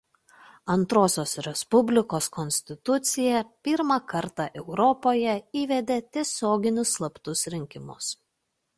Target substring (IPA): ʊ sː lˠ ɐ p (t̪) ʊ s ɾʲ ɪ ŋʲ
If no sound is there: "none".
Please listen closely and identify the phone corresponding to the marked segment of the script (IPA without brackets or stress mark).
t̪